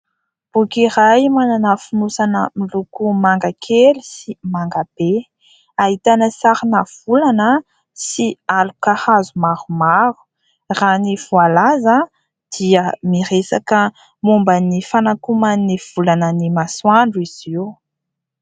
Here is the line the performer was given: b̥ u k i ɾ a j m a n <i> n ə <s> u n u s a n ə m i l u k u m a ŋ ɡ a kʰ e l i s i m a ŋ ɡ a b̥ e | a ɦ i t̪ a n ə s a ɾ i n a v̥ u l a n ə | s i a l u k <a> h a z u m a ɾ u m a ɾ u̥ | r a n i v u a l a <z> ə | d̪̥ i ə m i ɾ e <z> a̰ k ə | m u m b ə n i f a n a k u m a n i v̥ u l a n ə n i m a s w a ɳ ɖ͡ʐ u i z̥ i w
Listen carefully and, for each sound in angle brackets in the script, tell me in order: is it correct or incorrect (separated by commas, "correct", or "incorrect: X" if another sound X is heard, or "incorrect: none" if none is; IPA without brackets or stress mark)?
incorrect: a, incorrect: f, correct, correct, incorrect: s